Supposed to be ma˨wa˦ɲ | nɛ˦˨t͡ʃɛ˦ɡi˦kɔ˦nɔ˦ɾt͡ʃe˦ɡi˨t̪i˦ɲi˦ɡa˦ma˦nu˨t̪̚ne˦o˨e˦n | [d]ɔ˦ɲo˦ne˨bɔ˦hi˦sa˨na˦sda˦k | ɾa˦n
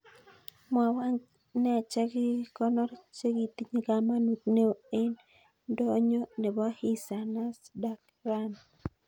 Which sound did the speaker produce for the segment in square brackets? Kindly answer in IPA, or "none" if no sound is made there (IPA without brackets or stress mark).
d